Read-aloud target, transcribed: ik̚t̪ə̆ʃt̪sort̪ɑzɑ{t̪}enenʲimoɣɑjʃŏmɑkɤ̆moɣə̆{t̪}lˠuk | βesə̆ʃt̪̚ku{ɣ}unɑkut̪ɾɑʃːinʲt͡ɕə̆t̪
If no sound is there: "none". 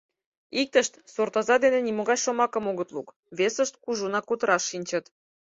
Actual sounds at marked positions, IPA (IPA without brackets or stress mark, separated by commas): d̪, t̪, ʒ